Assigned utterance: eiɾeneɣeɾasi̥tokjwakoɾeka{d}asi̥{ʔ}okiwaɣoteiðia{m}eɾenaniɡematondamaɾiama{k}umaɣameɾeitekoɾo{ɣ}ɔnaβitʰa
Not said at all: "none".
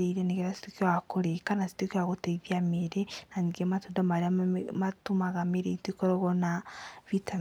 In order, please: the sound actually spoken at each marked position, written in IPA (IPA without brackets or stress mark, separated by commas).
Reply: n, t, m, t, ɣ